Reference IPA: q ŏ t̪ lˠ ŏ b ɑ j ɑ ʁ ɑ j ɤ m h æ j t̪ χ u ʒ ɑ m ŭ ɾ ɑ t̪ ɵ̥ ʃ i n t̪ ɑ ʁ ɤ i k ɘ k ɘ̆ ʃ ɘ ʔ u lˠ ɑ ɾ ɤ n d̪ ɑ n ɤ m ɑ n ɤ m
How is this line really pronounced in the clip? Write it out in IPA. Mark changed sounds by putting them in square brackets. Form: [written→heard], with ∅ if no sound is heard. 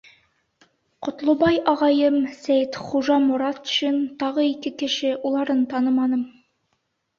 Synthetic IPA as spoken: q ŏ t̪ lˠ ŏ b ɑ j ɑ ʁ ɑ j ɤ m [h→s] æ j t̪ χ u ʒ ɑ m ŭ ɾ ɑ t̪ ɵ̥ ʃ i n t̪ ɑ ʁ ɤ i k ɘ k ɘ̆ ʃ ɘ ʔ u lˠ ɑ ɾ ɤ n [d̪→t̪] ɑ n ɤ m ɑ n ɤ m